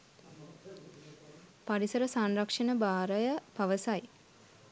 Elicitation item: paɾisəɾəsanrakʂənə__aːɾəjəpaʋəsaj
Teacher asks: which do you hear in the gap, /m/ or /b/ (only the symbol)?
b